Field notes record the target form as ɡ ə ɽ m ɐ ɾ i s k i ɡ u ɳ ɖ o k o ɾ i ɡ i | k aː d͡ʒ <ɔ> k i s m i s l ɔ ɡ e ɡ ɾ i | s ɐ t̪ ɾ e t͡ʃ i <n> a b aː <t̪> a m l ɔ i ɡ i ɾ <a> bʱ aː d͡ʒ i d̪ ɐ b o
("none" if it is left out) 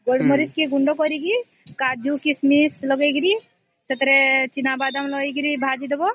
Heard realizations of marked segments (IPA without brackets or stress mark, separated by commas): u, n, d̪, i